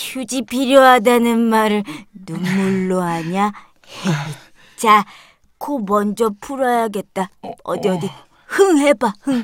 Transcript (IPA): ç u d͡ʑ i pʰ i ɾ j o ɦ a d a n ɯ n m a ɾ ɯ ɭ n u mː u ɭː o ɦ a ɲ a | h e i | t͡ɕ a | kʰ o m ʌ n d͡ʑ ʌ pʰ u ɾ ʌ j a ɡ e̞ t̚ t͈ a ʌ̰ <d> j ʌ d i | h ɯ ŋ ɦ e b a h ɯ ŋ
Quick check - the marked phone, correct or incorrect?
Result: correct